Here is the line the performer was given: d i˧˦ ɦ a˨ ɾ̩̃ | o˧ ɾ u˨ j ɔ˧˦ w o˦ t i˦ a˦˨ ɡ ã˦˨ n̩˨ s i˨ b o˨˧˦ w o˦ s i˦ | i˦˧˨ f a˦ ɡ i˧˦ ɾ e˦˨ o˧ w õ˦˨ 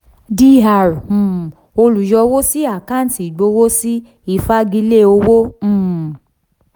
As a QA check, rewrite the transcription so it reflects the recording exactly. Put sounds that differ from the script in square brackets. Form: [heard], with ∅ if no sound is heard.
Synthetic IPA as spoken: d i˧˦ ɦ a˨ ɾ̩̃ | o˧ [l] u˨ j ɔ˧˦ w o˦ [s] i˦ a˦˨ [k] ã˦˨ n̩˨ [t] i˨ [ɡ͡b] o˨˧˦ w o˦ s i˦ | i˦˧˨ f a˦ ɡ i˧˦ [l] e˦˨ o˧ w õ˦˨